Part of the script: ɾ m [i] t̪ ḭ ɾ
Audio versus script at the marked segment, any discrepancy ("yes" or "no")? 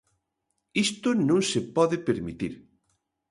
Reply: no